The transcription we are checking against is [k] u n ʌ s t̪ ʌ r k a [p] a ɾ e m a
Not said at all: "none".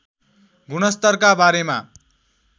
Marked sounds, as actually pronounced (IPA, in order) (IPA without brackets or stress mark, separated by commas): ɡ, b